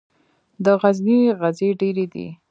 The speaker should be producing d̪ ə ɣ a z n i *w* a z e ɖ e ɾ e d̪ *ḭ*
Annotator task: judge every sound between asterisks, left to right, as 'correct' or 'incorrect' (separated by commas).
incorrect, correct